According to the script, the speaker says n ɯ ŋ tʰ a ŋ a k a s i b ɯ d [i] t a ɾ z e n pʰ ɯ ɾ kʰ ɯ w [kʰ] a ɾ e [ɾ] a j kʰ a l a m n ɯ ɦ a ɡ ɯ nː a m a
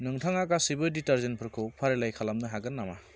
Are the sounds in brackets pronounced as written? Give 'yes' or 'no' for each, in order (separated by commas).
yes, no, no